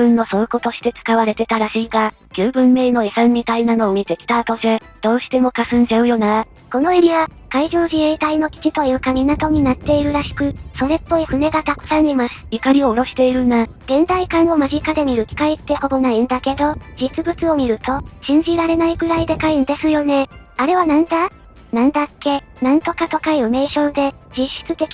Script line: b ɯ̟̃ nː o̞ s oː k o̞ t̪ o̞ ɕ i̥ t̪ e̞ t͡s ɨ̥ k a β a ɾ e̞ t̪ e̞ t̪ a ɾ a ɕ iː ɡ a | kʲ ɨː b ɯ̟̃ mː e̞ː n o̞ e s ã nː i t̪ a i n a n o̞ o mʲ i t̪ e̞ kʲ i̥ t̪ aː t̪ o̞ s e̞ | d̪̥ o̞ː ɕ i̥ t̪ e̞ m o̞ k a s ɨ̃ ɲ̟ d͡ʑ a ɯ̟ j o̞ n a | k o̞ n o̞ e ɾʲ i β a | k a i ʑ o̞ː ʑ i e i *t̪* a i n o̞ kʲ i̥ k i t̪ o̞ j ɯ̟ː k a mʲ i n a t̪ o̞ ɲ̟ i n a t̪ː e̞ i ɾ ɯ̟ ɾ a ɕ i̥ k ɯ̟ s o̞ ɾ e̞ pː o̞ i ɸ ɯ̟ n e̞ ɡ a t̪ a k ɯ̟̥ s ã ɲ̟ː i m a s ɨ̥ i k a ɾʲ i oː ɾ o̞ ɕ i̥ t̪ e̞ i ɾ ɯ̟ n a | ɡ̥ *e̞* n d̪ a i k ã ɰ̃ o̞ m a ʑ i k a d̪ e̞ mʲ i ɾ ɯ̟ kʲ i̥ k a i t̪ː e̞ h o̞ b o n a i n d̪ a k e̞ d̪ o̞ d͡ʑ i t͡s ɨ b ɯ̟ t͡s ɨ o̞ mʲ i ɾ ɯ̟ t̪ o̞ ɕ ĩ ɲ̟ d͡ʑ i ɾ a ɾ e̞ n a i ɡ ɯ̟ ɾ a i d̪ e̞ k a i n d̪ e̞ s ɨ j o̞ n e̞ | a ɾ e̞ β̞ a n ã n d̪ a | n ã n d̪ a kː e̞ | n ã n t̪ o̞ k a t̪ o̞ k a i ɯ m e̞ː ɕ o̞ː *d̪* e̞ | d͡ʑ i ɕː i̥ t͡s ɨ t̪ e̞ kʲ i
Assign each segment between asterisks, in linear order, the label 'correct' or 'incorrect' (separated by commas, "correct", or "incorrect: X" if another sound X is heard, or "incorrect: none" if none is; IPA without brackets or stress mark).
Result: correct, incorrect: ẽ̞, correct